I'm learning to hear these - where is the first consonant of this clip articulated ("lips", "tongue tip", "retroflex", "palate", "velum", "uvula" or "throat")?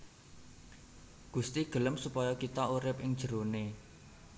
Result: velum